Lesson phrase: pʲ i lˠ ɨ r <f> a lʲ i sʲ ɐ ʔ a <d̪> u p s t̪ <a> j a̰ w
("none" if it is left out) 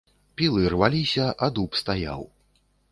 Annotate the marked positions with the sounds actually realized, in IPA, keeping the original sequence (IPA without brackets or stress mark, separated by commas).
v, d̪, a